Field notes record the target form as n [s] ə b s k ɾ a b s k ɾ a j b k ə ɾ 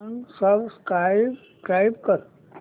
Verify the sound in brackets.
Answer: correct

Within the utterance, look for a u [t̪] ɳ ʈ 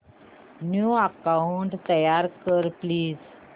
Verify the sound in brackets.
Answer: incorrect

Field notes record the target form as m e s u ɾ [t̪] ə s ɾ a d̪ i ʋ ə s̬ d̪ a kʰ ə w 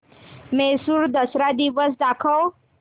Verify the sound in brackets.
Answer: incorrect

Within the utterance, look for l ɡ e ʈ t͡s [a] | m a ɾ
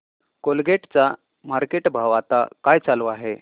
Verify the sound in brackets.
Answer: correct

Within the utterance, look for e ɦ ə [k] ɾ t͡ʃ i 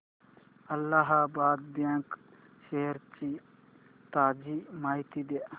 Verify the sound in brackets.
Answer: incorrect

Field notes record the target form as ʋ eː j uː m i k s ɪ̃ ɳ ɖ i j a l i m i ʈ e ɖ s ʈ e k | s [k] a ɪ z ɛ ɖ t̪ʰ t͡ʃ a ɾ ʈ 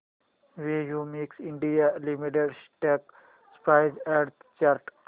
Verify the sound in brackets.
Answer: incorrect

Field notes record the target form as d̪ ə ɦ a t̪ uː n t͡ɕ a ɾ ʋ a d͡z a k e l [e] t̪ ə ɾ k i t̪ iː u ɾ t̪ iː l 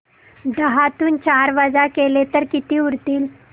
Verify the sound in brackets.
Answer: correct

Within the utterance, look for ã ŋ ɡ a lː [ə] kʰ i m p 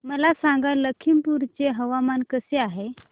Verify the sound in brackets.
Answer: correct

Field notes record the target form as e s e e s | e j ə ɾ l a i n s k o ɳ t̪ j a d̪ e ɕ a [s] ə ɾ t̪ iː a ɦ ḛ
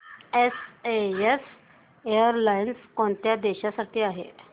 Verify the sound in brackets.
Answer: correct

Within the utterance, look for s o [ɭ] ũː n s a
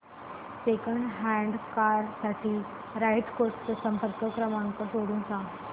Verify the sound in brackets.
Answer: incorrect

